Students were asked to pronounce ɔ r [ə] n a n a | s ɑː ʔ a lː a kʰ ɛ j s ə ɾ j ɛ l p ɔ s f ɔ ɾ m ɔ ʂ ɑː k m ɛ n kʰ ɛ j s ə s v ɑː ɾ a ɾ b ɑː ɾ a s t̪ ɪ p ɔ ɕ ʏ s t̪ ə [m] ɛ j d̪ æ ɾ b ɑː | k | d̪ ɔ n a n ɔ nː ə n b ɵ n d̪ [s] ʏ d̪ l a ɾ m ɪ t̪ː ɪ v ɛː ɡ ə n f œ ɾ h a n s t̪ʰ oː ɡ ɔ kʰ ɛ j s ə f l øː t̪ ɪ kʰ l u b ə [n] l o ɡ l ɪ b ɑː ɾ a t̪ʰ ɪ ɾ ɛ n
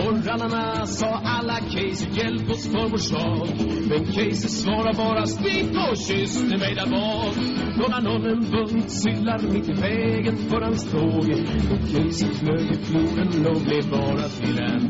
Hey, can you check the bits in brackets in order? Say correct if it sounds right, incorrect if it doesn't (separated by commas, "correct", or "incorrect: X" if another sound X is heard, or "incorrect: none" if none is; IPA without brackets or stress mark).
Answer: incorrect: a, correct, correct, correct